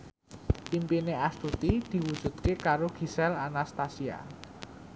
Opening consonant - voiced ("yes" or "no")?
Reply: yes